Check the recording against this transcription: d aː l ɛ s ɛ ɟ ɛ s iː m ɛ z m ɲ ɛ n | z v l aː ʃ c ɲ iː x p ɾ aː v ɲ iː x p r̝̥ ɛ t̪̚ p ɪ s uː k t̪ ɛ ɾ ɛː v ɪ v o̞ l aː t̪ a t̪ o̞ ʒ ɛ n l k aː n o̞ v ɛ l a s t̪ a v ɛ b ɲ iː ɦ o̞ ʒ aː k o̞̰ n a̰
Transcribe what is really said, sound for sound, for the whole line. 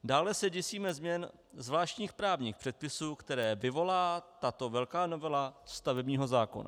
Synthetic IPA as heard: d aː l ɛ s ɛ ɟ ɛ s iː m ɛ z m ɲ ɛ n | z v l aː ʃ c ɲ iː x p ɾ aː v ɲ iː x p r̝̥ ɛ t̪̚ p ɪ s uː k t̪ ɛ ɾ ɛː v ɪ v o̞ l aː t̪ a t̪ o̞ v ɛ l k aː n o̞ v ɛ l a s t̪ a v ɛ b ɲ iː ɦ o̞ z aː k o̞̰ n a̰

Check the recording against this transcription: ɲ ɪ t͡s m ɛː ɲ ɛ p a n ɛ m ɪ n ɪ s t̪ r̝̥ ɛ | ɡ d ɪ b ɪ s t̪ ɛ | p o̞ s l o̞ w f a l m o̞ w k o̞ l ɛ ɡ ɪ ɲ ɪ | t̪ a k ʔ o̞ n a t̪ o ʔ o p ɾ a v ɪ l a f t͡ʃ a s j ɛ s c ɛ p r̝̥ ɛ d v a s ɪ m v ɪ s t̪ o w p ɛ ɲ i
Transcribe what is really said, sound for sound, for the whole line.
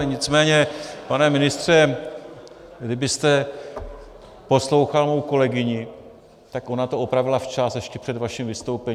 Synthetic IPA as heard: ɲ ɪ t͡s m ɛː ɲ ɛ p a n ɛ m ɪ n ɪ s t̪ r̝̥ ɛ | ɡ d ɪ b ɪ s t̪ ɛ | p o̞ s l o̞ w x a l m o̞ w k o̞ l ɛ ɡ ɪ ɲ ɪ | t̪ a k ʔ o̞ n a t̪ o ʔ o p ɾ a v ɪ l a f t͡ʃ a s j ɛ ʃ c ɛ p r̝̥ ɛ d v a ʃ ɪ m v ɪ s t̪ o w p ɛ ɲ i

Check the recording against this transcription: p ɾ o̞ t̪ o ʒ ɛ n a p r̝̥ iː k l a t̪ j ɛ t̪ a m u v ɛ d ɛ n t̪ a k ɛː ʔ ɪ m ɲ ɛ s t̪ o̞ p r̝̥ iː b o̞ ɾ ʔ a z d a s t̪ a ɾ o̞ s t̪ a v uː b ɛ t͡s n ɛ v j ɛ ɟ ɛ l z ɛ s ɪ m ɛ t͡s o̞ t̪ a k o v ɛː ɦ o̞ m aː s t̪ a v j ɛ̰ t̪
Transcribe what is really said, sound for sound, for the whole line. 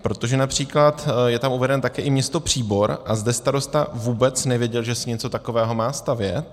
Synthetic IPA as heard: p ɾ o̞ t̪ o ʒ ɛ n a p r̝̥ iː k l a t̪ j ɛ t̪ a m u v ɛ d ɛ n t̪ a k ɛː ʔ ɪ m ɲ ɛ s t̪ o̞ p r̝̥ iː b o̞ ɾ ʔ a z d ɛ s t̪ a ɾ o̞ s t̪ a v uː b ɛ t͡s n ɛ v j ɛ ɟ ɛ l ʒ ɛ s ɪ ɲ ɛ t͡s o̞ t̪ a k o v ɛː ɦ o̞ m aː s t̪ a v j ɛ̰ t̪

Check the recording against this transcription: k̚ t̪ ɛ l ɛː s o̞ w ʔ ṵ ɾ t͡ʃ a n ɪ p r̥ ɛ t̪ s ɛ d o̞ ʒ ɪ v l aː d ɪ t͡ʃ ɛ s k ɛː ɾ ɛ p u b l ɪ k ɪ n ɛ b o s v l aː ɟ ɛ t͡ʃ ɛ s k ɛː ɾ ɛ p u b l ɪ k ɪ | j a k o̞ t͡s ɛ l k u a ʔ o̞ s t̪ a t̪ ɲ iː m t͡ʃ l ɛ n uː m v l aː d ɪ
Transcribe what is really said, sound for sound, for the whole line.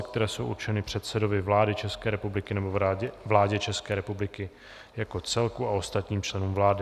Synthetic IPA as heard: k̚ t̪ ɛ ɾ ɛː s o̞ w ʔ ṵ ɾ t͡ʃ ɛ n ɪ p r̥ ɛ t̪ s ɛ d o̞ v ɪ v l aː d ɪ t͡ʃ ɛ s k ɛː ɾ ɛ p u b l ɪ k ɪ n ɛ b o v l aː ɟ ɛ t͡ʃ ɛ s k ɛː ɾ ɛ p u b l ɪ k ɪ | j a k o̞ t͡s ɛ l k u a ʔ o̞ s t̪ a t̪ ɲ iː m t͡ʃ l ɛ n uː m v l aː d ɪ

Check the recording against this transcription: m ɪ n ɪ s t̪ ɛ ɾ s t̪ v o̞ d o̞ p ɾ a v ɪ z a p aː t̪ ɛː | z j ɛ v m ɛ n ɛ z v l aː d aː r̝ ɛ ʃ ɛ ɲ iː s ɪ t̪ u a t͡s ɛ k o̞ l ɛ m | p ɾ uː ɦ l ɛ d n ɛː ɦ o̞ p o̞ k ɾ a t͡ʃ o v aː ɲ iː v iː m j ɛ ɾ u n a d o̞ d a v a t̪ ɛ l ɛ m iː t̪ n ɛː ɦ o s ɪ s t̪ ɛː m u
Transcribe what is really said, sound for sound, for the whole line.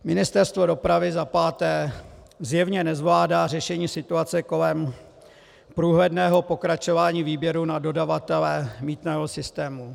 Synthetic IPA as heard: m ɪ n ɪ s t̪ ɛ ɾ s t̪ v o̞ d o̞ p ɾ a v ɪ z a p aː t̪ ɛː | z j ɛ v ɲ ɛ n ɛ z v l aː d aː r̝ ɛ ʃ ɛ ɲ iː s ɪ t̪ u a t͡s ɛ k o̞ l ɛ m | p ɾ uː ɦ l ɛ d n ɛː ɦ o̞ p o̞ k ɾ a t͡ʃ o v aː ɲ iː v iː b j ɛ ɾ u n a d o̞ d a v a t̪ ɛ l ɛ m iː t̪ n ɛː ɦ o s ɪ s t̪ ɛː m u

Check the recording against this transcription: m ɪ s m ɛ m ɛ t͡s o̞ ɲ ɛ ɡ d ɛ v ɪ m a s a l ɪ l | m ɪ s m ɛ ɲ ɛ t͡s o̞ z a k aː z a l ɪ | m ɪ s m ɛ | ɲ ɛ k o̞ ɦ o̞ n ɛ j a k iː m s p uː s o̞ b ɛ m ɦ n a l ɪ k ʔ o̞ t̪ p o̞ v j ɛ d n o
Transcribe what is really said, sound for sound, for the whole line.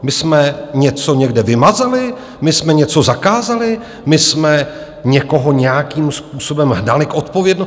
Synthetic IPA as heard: m ɪ s m ɛ ɲ ɛ t͡s o̞ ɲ ɛ ɡ d ɛ v ɪ m a z a l ɪ | m ɪ s m ɛ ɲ ɛ t͡s o̞ z a k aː z a l ɪ | m ɪ s m ɛ | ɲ ɛ k o̞ ɦ o̞ ɲ ɛ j a k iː m s p uː s o̞ b ɛ m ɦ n a l ɪ k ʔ o̞ t̪ p o̞ v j ɛ d n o

